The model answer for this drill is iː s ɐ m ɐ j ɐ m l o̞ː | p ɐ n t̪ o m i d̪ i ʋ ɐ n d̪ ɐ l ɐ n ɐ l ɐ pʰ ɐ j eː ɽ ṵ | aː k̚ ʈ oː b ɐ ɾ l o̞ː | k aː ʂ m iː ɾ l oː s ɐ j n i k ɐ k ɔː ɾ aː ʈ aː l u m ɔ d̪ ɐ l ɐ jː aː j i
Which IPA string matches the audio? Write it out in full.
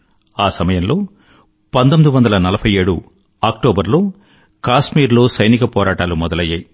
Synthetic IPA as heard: aː s ɐ m ɐ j ɐ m l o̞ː | p ɐ n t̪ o m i d̪ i ʋ ɐ n d̪ ɐ l ɐ n ɐ l ɐ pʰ ɐ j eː ɽ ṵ | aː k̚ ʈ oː b ɐ ɾ l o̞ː | k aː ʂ m iː ɾ l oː s ɐ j n i k ɐ p ɔː ɾ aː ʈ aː l u m ɔ d̪ ɐ l ɐ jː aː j i